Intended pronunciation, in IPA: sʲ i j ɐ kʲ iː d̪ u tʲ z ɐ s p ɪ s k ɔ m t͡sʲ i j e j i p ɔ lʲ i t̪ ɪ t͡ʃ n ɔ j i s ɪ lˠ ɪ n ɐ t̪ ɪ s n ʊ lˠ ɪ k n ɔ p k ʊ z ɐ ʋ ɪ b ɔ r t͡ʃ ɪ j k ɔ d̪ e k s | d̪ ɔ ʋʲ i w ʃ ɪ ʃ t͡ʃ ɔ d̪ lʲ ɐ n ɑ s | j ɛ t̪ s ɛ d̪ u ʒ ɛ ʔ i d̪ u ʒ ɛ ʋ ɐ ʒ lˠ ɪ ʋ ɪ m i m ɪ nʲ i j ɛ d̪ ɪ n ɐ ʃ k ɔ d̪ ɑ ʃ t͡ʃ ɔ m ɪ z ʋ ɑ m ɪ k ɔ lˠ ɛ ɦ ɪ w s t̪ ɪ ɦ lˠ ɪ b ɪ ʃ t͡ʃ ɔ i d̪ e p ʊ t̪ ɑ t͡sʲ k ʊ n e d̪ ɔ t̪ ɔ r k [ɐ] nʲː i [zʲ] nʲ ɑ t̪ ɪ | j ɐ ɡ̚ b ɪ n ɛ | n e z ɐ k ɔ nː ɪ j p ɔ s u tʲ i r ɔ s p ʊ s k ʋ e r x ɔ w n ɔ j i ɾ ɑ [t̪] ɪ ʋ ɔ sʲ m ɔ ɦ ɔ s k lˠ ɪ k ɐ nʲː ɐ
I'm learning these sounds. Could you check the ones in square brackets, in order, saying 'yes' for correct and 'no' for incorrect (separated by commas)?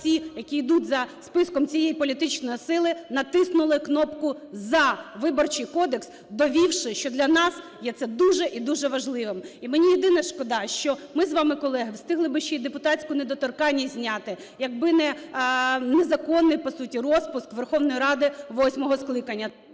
no, yes, no